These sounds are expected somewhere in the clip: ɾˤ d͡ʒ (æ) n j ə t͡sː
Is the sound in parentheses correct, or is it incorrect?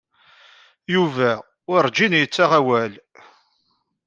incorrect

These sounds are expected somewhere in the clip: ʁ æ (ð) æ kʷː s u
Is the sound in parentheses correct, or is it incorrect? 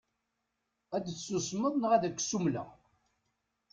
correct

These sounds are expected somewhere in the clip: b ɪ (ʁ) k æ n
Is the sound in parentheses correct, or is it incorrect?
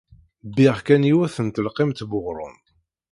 correct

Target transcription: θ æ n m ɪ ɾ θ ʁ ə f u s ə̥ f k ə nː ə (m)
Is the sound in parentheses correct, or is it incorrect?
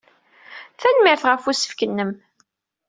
correct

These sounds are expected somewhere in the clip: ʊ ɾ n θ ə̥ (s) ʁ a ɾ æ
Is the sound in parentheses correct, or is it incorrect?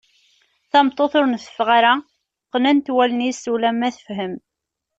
incorrect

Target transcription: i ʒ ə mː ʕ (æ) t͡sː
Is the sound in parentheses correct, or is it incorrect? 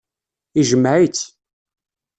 incorrect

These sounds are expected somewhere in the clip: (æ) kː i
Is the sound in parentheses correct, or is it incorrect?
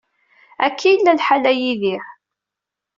correct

